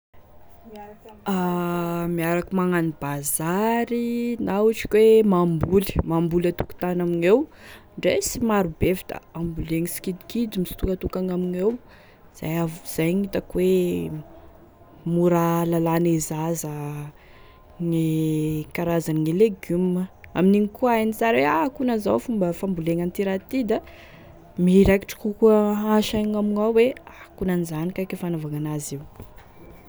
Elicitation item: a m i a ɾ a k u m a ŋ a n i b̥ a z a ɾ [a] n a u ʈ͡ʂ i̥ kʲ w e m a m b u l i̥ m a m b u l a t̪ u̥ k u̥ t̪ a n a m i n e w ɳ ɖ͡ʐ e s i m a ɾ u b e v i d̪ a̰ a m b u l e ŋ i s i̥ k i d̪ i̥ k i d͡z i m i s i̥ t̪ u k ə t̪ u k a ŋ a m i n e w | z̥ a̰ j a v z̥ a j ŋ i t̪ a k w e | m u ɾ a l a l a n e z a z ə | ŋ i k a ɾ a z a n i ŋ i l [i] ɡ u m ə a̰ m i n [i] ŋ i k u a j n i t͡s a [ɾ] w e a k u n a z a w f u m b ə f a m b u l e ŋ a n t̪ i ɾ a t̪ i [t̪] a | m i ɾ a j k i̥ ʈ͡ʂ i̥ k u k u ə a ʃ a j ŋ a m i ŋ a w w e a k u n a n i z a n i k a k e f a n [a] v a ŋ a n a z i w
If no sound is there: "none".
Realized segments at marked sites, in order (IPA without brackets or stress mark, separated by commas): i, e, i, ɾ, d̪, a